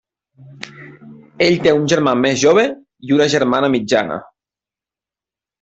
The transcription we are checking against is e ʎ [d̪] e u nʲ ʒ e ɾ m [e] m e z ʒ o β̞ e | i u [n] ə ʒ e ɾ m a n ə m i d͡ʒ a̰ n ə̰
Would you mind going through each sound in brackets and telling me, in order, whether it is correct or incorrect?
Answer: incorrect: t̪, incorrect: a, correct

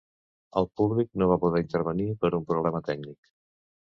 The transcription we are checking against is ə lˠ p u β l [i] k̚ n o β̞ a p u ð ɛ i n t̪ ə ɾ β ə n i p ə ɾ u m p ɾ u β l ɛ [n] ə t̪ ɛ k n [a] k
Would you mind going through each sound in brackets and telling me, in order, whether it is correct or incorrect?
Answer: correct, incorrect: m, incorrect: i

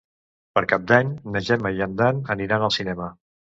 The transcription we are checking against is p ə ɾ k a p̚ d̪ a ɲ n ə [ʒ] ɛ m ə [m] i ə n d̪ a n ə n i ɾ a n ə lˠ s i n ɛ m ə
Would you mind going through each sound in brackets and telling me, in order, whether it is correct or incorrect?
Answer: correct, incorrect: none

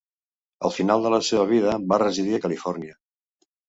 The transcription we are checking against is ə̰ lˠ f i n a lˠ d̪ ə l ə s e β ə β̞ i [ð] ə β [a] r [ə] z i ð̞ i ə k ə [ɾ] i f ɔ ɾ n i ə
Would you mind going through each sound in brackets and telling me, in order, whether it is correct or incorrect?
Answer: correct, correct, correct, incorrect: l

